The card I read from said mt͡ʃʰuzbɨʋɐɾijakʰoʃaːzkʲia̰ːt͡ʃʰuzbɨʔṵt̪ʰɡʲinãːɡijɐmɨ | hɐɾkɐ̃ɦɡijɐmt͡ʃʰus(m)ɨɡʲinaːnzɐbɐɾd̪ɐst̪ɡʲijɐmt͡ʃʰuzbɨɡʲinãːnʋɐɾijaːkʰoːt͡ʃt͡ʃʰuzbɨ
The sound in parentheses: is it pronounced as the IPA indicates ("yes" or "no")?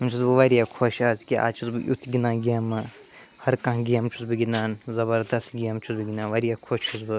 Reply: no